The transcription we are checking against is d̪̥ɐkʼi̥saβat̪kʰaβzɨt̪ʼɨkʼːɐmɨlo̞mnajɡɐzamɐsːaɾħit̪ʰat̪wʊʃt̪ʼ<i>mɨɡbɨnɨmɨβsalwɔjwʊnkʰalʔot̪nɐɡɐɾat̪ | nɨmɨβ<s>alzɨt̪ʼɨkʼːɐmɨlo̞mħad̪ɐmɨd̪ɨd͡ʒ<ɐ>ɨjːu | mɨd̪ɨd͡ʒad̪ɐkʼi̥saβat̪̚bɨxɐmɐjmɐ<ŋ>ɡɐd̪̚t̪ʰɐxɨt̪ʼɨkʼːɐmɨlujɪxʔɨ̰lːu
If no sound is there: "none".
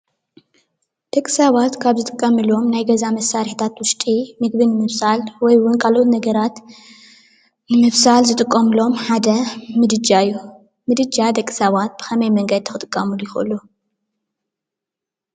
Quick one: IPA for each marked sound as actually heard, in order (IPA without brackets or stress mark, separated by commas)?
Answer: i, s, a, ŋ